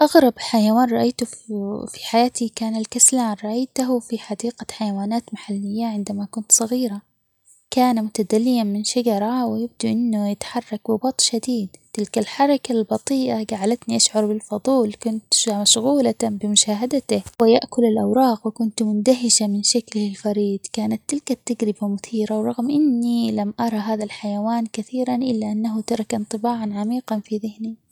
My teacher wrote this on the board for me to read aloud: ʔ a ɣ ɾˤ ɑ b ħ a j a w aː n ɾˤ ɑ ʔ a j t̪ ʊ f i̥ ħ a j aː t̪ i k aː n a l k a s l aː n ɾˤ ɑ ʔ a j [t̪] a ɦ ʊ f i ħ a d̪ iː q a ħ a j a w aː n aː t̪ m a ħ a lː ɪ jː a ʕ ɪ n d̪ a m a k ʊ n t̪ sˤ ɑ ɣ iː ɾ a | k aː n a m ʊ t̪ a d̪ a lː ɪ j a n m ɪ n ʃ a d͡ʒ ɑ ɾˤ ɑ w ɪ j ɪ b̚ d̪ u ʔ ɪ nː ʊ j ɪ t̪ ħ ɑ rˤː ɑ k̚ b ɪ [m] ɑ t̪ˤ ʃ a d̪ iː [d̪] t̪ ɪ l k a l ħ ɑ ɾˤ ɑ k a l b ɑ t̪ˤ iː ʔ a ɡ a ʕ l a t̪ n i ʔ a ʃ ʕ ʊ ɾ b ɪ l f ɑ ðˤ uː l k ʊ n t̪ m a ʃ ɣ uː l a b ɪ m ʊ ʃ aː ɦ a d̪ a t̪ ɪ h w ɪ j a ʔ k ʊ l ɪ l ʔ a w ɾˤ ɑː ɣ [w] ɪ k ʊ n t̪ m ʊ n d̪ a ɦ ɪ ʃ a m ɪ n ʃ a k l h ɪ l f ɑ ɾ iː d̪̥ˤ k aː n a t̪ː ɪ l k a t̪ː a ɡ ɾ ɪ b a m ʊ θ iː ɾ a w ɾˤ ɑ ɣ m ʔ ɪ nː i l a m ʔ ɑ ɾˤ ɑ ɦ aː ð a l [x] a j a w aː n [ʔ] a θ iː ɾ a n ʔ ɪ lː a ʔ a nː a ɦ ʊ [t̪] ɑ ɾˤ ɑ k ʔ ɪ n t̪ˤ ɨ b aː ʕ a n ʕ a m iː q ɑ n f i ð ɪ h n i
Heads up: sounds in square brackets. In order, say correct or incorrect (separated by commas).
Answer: correct, incorrect, correct, correct, incorrect, incorrect, correct